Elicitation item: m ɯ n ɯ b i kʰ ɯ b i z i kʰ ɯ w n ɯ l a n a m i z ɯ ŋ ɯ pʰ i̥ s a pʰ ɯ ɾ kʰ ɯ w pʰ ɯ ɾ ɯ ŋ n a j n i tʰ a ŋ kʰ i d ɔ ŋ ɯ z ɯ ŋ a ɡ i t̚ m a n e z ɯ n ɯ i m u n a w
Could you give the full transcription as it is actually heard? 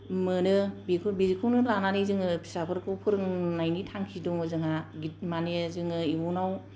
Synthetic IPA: m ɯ n ɯ b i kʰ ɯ b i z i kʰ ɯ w n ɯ l a n a n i z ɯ ŋ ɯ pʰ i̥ s a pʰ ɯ ɾ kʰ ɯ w pʰ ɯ ɾ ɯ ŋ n a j n i tʰ a ŋ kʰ i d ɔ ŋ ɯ z ɯ ŋ a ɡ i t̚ m a n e z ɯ ŋ ɯ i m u n a w